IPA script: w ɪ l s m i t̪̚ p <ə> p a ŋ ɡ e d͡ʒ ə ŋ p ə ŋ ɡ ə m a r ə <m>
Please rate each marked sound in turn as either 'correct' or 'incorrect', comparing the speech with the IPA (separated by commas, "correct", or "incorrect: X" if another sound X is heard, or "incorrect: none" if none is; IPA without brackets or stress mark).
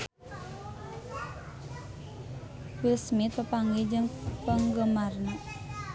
correct, incorrect: n